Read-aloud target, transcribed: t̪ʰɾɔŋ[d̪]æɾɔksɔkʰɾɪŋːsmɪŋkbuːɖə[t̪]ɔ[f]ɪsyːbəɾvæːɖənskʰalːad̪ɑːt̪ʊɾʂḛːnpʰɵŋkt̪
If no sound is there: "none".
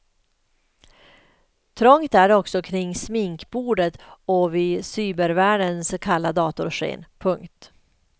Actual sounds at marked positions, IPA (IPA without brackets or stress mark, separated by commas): t̪, t̪, v